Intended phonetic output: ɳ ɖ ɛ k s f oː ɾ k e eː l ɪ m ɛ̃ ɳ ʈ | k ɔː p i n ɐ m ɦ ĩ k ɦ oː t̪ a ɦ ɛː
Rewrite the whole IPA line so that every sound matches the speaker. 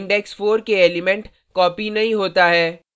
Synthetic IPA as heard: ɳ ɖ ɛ k s f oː ɾ k e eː l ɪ m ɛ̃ ɳ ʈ | k ɔː p i n ɐ ɦ ĩ ɦ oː t̪ a ɦ ɛː

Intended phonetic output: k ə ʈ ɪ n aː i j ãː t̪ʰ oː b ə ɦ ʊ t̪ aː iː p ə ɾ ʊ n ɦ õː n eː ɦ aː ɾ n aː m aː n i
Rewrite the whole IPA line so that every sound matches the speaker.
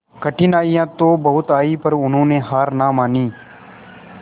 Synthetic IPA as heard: k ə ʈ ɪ n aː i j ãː t̪ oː b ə ɦ ʊ t̪ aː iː p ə ɾ ʊ n ɦ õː n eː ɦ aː ɾ n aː m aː n iː

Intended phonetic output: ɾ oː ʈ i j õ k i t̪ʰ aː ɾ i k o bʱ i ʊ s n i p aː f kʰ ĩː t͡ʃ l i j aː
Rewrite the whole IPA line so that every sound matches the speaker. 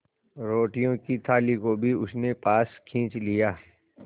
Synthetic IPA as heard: ɾ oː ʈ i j õ k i t̪ʰ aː l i k o bʱ i ʊ s n e p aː s kʰ ĩː t͡ʃ l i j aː

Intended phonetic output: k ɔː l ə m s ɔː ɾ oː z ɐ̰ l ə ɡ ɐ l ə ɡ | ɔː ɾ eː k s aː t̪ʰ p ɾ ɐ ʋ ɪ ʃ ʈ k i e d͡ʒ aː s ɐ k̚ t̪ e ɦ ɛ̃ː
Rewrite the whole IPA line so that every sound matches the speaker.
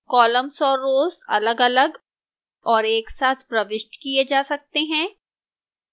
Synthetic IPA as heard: k ɔː l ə m s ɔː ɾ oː z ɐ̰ l ə ɡ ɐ l ə ɡ | ɔː ɾ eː k s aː t̪ʰ p ɾ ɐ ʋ ɪ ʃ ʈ k i e d͡ʒ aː s ɐ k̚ t̪ e ɦ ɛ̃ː

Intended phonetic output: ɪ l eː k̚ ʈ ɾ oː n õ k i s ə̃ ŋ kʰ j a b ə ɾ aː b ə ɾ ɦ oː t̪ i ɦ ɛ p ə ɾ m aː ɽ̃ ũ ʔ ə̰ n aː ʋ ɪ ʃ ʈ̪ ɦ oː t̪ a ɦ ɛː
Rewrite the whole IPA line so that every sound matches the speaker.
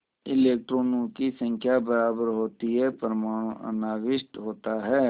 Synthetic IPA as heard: ɪ l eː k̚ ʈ ɾ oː n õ k i s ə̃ ŋ kʰ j a b ə ɾ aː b ə ɾ ɦ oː t̪ i ɦ ɛ p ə ɾ m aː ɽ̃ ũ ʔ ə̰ n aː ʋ ɪ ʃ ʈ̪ ɦ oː t̪ a ɦ ɛː

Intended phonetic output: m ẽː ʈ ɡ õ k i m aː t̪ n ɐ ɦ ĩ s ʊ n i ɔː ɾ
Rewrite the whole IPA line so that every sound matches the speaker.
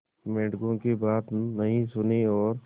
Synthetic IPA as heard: m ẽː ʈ ɡ õ k i b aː t̪ n ɐ ɦ ĩ s ʊ n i ɔː ɾ

